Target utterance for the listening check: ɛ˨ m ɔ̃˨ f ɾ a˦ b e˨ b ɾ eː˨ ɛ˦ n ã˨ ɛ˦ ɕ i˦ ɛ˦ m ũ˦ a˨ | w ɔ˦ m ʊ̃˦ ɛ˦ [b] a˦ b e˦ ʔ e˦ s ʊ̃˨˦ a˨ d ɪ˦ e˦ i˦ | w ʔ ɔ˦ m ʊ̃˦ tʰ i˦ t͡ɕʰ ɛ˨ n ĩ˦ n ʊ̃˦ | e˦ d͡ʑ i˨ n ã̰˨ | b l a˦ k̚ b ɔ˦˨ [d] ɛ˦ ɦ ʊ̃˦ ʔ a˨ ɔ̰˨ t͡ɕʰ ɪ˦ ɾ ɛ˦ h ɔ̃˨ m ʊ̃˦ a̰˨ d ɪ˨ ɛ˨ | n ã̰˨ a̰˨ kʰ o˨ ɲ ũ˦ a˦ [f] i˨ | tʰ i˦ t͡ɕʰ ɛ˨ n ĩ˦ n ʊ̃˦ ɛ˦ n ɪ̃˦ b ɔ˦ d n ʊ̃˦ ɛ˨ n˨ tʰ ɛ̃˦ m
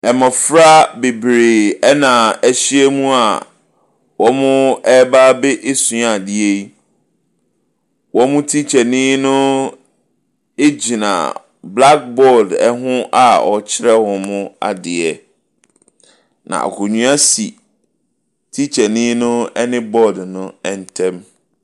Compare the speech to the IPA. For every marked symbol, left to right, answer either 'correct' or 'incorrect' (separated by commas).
correct, correct, incorrect